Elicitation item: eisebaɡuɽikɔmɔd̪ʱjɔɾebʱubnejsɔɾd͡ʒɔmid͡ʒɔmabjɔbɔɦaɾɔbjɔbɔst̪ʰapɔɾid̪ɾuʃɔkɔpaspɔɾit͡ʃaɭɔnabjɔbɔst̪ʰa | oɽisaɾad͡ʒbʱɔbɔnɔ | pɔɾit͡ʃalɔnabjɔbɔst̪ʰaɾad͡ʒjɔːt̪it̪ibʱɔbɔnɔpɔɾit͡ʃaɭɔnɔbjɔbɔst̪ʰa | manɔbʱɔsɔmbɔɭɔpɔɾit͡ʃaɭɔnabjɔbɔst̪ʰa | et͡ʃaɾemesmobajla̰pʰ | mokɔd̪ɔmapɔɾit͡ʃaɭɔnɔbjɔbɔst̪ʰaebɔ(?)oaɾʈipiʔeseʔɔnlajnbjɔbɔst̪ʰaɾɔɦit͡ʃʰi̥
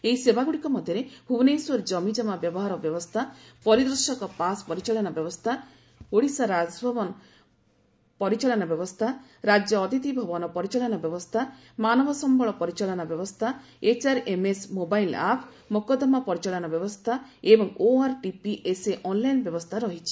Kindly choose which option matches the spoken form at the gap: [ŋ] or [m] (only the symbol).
ŋ